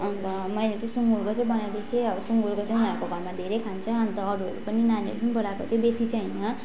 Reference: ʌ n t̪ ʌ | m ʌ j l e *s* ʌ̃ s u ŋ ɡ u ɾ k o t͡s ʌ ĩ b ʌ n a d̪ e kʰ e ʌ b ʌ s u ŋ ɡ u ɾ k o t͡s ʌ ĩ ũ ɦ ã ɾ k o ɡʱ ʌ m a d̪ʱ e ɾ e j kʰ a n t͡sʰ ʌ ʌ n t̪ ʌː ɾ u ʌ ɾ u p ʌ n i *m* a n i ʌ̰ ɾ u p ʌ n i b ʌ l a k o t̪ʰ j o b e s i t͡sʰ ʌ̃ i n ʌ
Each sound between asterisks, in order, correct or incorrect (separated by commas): incorrect, incorrect